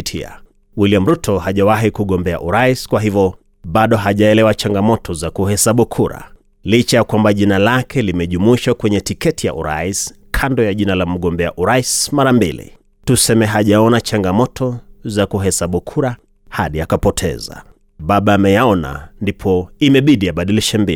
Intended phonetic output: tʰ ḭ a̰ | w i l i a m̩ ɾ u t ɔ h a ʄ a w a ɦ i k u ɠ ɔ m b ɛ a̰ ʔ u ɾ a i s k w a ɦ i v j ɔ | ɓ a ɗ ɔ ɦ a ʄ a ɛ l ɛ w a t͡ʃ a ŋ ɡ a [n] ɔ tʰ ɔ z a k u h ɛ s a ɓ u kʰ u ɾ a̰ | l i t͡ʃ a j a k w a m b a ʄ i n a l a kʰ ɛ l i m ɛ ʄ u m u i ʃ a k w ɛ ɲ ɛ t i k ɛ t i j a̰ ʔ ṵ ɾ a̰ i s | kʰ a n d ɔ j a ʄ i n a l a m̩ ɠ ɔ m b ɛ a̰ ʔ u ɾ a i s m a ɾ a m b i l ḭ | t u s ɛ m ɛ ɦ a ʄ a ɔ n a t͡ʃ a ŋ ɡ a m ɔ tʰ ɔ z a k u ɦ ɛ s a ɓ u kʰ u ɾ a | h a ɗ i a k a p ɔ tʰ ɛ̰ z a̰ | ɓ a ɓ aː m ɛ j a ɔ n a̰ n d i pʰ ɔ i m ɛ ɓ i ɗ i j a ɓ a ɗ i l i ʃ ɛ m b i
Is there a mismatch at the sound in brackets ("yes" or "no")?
yes